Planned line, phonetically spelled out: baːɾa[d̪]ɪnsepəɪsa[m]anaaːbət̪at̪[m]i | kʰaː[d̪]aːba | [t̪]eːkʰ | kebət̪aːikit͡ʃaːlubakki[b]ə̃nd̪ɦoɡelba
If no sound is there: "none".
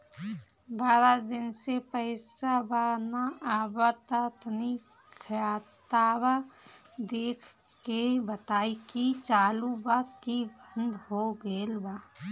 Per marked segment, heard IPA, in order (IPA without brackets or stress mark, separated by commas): d̪, b, n, t̪, d̪, b